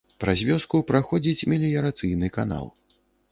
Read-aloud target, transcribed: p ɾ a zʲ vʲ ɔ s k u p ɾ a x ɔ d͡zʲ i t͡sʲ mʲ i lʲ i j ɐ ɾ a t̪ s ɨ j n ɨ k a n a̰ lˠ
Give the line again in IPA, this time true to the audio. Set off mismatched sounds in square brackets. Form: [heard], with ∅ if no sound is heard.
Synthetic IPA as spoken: p ɾ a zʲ vʲ ɔ s k u p ɾ a x ɔ d͡zʲ i t͡sʲ mʲ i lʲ i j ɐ ɾ a t̪ s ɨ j n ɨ k a n a̰ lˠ